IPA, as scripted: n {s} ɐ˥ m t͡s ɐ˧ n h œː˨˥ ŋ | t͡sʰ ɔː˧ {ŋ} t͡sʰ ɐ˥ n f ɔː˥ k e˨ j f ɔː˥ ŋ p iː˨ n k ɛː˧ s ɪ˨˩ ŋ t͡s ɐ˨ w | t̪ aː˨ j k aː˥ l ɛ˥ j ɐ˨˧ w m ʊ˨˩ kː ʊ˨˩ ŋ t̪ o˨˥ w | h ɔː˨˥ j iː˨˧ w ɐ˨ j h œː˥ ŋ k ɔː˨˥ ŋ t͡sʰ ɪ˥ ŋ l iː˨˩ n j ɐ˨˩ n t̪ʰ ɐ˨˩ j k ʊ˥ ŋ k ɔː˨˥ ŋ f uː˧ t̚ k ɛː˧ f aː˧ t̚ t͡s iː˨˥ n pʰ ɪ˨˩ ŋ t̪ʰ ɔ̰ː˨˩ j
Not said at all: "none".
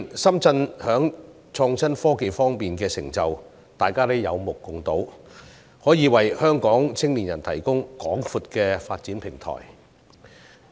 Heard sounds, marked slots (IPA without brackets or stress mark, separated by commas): s, ŋ